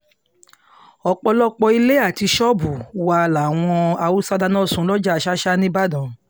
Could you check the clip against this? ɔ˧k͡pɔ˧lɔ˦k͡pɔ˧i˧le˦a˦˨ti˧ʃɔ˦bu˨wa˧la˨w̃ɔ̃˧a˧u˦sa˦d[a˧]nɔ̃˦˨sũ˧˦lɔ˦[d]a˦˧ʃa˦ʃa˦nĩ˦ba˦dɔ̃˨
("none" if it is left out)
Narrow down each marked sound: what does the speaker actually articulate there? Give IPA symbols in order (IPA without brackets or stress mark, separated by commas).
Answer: a˧, d͡ʒ